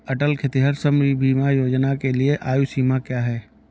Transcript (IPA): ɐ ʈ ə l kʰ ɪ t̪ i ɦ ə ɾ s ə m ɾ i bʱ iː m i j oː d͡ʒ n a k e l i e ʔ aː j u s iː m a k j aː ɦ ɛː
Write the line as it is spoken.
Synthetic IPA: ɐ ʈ ə l kʰ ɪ t̪ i ɦ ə ɾ s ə m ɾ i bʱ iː m a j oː d͡ʒ n a k e l i e ʔ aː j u s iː m a k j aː ɦ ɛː

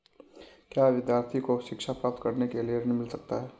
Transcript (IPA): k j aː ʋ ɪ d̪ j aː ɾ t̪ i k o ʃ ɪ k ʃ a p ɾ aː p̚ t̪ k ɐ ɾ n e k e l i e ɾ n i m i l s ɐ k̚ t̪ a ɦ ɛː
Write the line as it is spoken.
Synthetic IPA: k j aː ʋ ɪ d̪ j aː ɾ t̪ʰ i k o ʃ ɪ k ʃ a p ɾ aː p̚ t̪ k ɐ ɾ n e k e l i e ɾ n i m ɪ l s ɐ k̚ t̪ a ɦ ɛː

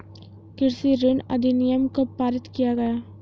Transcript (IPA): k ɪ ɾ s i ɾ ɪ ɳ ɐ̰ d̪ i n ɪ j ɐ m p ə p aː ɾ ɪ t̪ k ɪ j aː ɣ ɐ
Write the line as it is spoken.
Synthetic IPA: k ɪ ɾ s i ɾ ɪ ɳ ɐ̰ d̪ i n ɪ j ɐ m k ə p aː ɾ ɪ t̪ k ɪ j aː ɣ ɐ

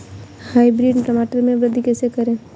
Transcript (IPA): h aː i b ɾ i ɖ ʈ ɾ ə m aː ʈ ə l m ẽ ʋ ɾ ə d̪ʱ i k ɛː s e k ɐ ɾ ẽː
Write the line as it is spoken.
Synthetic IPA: h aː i b ɾ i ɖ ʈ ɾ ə m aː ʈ ə ɾ m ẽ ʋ ɾ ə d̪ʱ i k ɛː s e k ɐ ɾ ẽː

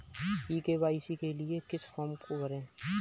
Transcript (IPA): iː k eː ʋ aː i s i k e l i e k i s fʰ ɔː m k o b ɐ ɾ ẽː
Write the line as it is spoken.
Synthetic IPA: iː k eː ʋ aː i s i k e l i e k ɪ s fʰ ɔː m k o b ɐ ɾ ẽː

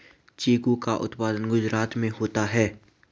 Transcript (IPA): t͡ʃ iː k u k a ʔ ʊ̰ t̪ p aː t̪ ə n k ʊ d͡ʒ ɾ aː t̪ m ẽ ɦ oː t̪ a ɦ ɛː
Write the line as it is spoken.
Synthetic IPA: t͡ʃ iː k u k a ʔ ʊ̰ t̪ p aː d̪ ə n ɡ ʊ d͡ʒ ɾ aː t̪ m ẽ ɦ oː t̪ a ɦ ɛː

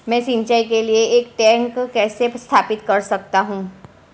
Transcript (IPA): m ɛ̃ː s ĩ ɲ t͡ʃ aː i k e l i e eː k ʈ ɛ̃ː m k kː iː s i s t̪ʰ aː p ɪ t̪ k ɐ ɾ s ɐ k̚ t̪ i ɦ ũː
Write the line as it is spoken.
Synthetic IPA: m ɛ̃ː s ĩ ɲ t͡ʃ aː i k e l i e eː k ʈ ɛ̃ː ŋ k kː ɛː s e s t̪ʰ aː p ɪ t̪ k ɐ ɾ s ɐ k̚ t̪ a ɦ ũː

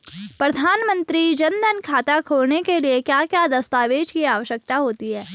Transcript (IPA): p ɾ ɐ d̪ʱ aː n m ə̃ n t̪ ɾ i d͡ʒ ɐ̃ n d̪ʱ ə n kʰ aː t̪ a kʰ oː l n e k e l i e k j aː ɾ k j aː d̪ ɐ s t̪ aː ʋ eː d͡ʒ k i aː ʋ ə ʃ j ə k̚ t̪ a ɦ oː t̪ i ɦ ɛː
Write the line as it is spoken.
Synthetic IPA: p ɾ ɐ d̪ʱ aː n m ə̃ n t̪ ɾ i d͡ʒ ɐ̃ n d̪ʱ ə n kʰ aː t̪ a kʰ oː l n e k e l i e k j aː k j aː d̪ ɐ s t̪ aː ʋ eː d͡ʒ k i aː ʋ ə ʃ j ə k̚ t̪ a ɦ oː t̪ i ɦ ɛː

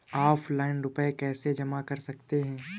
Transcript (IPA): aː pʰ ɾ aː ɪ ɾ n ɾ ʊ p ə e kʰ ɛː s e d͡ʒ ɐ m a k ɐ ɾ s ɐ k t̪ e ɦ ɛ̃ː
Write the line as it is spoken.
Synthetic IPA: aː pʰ l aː ɪ n ɾ ʊ p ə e k ɛː s e d͡ʒ ɐ m a k ɐ ɾ s ɐ k t̪ e ɦ ɛ̃ː

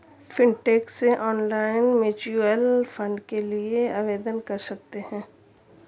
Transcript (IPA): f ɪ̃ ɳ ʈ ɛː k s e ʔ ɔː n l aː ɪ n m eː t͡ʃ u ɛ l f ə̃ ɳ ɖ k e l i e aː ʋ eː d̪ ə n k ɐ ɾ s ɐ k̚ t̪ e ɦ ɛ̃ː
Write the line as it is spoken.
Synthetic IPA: f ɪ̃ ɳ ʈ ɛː k s e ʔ ɔː n l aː ɪ n m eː t͡ʃ u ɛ l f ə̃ ɳ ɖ k e l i e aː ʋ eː d̪ ə n k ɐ ɾ s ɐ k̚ t̪ e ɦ ɛ̃ː

